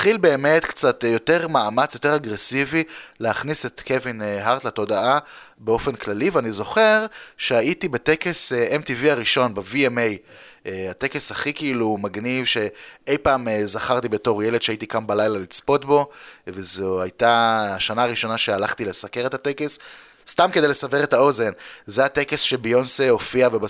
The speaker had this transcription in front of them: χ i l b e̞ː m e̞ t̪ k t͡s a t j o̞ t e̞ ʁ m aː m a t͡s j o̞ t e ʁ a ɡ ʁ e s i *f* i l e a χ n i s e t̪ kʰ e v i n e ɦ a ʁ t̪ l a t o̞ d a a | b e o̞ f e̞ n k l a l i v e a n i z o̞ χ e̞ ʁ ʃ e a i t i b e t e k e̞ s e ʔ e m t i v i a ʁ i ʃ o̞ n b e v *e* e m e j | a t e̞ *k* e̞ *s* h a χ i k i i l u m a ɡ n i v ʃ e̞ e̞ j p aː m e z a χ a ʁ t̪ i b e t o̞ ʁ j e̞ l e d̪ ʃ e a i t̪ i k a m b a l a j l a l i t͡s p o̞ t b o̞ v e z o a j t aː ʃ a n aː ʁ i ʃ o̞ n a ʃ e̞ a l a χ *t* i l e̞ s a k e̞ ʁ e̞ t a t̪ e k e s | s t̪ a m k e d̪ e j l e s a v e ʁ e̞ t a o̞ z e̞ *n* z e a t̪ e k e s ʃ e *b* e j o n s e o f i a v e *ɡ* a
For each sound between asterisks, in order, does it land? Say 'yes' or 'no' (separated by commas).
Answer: no, no, yes, yes, yes, yes, yes, no